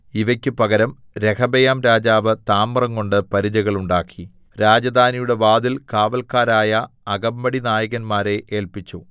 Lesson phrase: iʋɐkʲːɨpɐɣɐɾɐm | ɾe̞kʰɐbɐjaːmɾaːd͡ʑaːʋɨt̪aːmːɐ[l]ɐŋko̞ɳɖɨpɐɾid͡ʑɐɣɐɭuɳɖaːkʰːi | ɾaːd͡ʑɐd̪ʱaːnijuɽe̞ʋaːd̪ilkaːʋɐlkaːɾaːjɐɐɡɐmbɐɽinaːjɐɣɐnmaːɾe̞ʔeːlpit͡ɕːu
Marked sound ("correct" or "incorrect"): incorrect